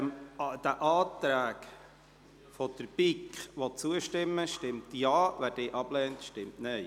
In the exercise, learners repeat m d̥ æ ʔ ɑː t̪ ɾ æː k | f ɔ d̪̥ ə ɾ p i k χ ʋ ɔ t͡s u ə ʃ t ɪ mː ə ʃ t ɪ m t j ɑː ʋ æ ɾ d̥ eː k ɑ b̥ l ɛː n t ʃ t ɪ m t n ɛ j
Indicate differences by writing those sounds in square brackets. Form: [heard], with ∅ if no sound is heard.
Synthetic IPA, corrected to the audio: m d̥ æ ʔ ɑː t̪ ɾ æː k | f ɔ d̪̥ ə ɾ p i k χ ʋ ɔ t͡s u ə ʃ t ɪ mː ə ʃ t ɪ m t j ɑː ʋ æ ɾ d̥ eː [ʔ] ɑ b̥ l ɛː n t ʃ t ɪ m t n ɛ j